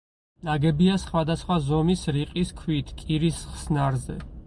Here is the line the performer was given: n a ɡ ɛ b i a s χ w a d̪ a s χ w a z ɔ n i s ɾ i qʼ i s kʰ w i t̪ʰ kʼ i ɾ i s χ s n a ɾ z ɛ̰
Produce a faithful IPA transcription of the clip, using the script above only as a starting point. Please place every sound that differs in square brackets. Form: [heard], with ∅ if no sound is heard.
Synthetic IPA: n a ɡ ɛ b i a s χ w a d̪ a s χ w a z ɔ [m] i s ɾ i qʼ i s kʰ w i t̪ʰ kʼ i ɾ i s χ s n a ɾ z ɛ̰